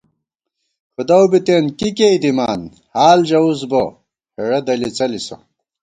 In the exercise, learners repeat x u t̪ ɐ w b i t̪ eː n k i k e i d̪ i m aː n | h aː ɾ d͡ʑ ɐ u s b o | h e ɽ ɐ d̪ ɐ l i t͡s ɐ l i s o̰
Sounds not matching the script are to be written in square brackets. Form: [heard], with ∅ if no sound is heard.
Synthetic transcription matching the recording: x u [d̪] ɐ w b i t̪ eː n k i k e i d̪ i m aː n | h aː [l] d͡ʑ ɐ u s b o | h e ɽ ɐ d̪ ɐ l i t͡s ɐ l i s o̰